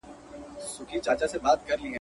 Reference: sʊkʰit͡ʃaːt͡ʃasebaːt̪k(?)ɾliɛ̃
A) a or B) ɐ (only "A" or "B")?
B